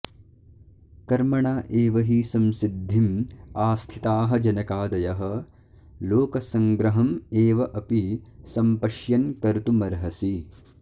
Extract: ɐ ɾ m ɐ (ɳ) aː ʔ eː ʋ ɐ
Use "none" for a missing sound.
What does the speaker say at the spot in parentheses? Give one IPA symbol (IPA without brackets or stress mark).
ɳ